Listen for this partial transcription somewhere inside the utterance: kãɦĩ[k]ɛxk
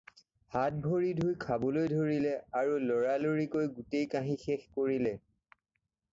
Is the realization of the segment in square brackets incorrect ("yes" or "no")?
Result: yes